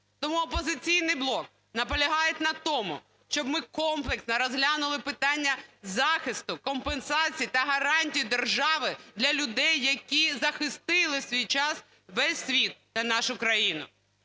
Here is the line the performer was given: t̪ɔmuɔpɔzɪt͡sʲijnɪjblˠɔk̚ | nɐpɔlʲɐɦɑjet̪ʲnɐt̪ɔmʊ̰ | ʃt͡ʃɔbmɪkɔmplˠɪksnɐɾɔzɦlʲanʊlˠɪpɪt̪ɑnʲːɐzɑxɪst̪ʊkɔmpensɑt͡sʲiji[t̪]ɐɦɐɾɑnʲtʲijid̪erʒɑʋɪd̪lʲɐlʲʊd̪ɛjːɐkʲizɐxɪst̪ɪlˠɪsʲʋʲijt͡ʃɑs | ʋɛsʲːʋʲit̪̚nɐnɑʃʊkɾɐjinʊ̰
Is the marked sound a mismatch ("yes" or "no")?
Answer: no